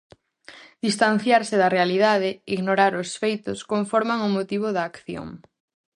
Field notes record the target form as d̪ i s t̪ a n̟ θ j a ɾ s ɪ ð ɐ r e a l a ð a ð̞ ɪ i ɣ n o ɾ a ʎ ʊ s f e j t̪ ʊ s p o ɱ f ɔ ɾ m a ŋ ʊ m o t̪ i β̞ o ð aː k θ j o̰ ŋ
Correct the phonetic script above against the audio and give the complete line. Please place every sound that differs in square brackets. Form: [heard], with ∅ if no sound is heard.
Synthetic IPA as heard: d̪ i s t̪ a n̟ θ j a ɾ s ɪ ð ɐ r e a l [i] ð a ð̞ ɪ i ɣ n o ɾ a [ɾ] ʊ s f e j t̪ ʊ s [k] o ɱ f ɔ ɾ m a ŋ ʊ m o t̪ i β̞ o ð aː k θ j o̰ ŋ

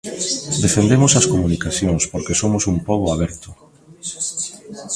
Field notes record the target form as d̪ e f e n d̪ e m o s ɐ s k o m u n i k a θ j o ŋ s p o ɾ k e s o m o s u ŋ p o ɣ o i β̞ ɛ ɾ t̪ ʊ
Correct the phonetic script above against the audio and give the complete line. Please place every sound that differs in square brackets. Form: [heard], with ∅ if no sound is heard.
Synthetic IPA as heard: d̪ e f e n d̪ e m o s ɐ s k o m u n i k a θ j o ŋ s p o ɾ k e s o m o s u [m] p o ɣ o [a] β̞ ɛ ɾ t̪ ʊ

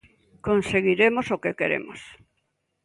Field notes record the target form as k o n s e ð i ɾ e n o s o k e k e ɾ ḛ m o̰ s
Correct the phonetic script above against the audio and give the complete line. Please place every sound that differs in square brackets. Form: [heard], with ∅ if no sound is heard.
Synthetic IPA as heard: k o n s e [ɣ] i ɾ e [m] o s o k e k e ɾ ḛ m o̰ s

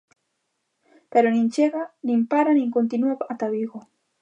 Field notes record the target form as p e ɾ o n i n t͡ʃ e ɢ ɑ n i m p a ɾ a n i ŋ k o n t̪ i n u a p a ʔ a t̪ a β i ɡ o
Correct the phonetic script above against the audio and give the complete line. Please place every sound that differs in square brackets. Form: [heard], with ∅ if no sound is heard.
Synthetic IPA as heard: p e ɾ o n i n t͡ʃ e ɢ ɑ n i m p a ɾ a n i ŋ k o n t̪ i n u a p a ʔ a t̪ a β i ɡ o

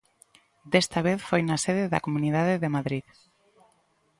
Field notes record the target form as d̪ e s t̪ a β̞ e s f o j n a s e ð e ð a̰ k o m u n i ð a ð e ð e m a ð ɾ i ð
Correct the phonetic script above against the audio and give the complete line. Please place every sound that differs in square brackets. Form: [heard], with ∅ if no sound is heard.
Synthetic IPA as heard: d̪ e s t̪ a β̞ e [θ] f o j n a s e ð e ð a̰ k o m u n i ð a ð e ð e m a ð ɾ i ð

